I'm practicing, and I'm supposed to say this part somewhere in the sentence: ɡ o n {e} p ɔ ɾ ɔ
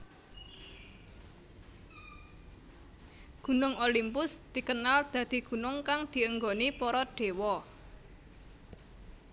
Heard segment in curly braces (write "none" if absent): i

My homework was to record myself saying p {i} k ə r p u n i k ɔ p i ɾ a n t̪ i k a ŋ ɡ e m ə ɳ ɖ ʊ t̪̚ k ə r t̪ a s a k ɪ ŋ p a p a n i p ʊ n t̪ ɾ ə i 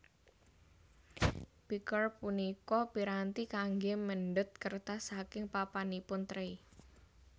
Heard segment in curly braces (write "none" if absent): i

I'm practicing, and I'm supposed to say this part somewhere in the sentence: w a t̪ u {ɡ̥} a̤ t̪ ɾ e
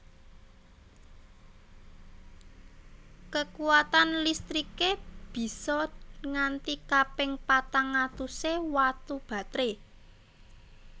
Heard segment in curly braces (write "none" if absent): b̥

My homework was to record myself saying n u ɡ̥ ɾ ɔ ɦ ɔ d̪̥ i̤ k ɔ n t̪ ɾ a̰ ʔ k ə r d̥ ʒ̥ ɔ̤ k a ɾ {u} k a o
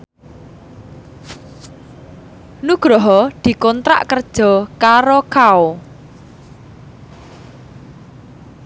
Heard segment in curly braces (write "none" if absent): o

